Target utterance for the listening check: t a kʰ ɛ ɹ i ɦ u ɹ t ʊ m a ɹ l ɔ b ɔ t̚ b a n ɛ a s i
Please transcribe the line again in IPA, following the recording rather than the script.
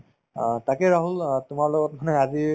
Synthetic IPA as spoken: t a k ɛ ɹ a ɦ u l t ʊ m a ɹ l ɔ ɡ ɔ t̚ m a n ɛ a z i